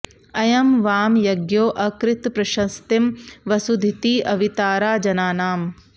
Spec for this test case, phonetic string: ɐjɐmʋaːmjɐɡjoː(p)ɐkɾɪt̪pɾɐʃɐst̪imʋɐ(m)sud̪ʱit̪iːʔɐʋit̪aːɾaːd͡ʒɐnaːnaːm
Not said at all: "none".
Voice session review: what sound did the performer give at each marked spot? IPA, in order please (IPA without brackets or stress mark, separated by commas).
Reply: ʔ, none